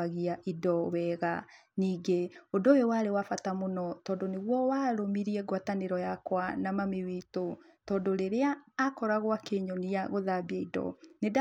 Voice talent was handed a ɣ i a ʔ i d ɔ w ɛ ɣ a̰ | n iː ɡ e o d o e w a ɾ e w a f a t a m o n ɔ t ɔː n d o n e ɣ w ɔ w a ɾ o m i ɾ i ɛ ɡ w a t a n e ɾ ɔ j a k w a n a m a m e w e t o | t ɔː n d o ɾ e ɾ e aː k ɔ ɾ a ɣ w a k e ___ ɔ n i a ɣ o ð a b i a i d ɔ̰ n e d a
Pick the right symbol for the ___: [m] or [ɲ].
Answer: ɲ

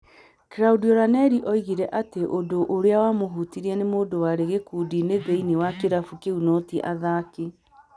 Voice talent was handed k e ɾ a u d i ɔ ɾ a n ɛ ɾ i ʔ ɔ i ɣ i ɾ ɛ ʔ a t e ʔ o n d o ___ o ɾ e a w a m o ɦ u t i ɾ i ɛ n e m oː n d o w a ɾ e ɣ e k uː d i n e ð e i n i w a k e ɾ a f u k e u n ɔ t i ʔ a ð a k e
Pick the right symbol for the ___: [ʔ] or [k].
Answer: ʔ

